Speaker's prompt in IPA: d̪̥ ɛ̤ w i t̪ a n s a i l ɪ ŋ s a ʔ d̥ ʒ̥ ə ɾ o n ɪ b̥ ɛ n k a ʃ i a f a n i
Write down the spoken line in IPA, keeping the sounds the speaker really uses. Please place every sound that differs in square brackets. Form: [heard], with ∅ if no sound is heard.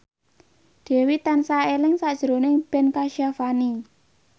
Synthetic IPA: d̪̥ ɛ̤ w i t̪ a n s a [e] l ɪ ŋ s a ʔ d̥ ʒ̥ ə ɾ o n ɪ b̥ ɛ n k a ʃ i a f a n i